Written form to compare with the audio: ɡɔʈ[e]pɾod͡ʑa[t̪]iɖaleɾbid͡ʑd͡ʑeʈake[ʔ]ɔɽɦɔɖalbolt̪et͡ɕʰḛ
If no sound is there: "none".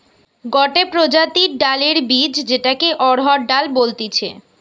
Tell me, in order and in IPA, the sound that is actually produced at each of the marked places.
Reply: e, t̪, ʔ

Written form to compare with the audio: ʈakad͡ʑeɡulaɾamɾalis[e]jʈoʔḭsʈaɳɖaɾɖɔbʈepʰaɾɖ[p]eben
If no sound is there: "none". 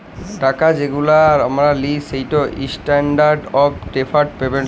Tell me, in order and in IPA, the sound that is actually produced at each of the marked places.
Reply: e, p

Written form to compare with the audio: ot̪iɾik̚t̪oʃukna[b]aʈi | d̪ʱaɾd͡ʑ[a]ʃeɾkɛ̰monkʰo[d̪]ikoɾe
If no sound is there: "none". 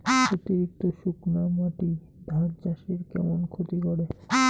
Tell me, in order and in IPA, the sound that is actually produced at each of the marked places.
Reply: m, a, t̪

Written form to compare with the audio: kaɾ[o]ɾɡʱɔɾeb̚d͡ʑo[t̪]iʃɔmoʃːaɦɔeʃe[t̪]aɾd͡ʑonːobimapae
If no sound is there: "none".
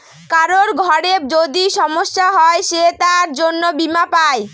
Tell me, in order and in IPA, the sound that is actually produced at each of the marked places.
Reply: o, d̪, t̪

